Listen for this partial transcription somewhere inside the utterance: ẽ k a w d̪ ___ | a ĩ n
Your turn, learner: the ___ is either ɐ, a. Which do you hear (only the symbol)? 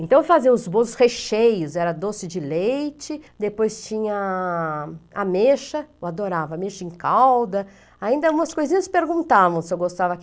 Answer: ɐ